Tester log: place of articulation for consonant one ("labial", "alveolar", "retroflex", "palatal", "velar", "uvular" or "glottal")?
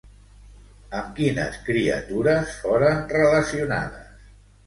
labial